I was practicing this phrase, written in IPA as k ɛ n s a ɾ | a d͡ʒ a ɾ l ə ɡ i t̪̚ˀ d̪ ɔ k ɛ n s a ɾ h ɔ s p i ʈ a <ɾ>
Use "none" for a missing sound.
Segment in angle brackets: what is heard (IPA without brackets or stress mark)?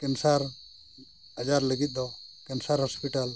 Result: l